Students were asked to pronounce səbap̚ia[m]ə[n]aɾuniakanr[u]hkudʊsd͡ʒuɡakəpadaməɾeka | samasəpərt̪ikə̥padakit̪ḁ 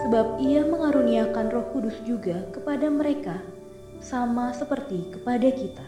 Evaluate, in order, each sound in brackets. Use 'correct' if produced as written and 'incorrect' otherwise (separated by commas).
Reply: correct, incorrect, incorrect